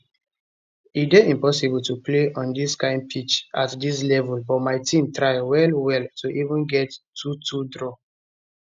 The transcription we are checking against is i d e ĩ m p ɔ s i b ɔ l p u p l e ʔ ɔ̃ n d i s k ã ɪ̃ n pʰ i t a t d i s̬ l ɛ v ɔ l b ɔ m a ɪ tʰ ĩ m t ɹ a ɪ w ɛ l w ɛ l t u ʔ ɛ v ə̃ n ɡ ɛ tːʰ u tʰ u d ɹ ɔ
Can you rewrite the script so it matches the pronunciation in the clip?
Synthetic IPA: i d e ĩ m p ɔ s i b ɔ l t u p l e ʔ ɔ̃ n d i s k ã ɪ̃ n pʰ i t͡ʃ a t d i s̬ l ɛ v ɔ l b ɔ m a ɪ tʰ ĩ m t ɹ a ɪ w ɛ l w ɛ l t u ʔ i v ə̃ n ɡ ɛ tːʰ u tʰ u d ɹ ɔ